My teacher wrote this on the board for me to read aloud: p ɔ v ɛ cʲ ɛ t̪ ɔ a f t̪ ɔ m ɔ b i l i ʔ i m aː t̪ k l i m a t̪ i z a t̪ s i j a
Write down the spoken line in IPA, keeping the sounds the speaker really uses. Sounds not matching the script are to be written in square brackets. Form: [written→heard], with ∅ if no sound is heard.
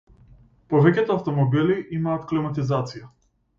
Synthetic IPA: p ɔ v ɛ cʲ ɛ t̪ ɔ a f t̪ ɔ m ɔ b i l i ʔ i m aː t̪ k l i m a t̪ i z a t̪ s i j a